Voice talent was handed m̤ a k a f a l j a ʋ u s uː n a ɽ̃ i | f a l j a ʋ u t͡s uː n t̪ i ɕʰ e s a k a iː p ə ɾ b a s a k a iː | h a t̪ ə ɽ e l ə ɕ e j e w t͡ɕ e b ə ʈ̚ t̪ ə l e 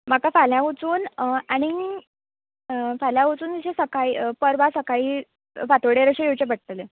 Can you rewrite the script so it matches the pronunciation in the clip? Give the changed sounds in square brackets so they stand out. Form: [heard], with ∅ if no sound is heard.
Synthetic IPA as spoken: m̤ a k a f a l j a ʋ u [t͡s] uː n a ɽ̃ i | f a l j a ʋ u t͡s uː n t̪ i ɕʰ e s [ə] k a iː p ə ɾ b a s [ə] k a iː | [f] a t̪ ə ɽ e [ɾ] ə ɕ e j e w t͡ɕ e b ə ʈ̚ t̪ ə l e